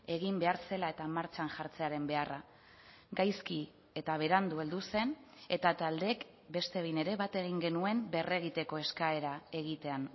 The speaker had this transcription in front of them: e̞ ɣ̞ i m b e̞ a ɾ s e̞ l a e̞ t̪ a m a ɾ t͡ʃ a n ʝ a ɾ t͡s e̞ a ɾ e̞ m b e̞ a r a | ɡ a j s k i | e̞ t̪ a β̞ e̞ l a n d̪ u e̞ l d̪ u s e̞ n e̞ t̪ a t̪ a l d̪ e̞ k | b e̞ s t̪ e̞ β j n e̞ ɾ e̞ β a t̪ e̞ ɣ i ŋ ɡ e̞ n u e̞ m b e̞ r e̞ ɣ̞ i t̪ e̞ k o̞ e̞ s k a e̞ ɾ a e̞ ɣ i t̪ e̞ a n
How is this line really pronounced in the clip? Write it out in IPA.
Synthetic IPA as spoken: e̞ ɣ̞ i m b e̞ a ɾ s e̞ l a e̞ t̪ a m a ɾ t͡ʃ a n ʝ a ɾ t͡s e̞ a ɾ e̞ m b e̞ a r a | ɡ a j s k i | e̞ t̪ a β̞ e̞ ɾ a n d̪ u e̞ l d̪ u s e̞ n e̞ t̪ a t̪ a l d̪ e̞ k | b e̞ s t̪ e̞ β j n e̞ ɾ e̞ β a t̪ e̞ ɣ i ŋ ɡ e̞ n u e̞ m b e̞ r e̞ ɣ̞ i t̪ e̞ k o̞ e̞ s k a e̞ ɾ a e̞ ɣ i t̪ e̞ a n